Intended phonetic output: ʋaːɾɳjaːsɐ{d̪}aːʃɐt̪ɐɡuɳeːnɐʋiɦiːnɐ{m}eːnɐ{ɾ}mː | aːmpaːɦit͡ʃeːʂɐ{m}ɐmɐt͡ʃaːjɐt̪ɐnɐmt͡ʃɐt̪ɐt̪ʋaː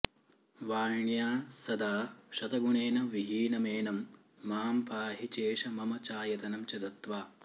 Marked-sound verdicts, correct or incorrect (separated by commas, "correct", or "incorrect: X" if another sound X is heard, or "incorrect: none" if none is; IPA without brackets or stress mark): correct, correct, incorrect: none, correct